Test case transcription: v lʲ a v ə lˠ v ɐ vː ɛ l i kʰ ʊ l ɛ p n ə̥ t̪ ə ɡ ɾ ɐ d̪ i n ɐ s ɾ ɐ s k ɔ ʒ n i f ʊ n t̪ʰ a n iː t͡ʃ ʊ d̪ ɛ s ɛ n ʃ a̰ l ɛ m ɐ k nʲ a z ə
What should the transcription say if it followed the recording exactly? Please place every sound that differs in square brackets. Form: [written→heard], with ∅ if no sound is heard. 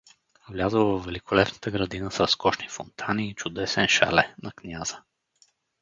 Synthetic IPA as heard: v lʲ a [v→z] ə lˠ v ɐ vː ɛ l i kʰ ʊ l ɛ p n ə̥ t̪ ə ɡ ɾ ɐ d̪ i n [ɐ→ə] s ɾ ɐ s k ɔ [ʒ→ʃ] n i f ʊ n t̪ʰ a n iː t͡ʃ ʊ d̪ ɛ s ɛ n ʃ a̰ l ɛ [m→n] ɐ k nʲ a z ə